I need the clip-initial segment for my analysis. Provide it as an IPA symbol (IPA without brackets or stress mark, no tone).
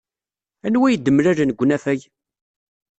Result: æ